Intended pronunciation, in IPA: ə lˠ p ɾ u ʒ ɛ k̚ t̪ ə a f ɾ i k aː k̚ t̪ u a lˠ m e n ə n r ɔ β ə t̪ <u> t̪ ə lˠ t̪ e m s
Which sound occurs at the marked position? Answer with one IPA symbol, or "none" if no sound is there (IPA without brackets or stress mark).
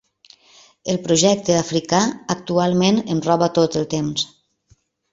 o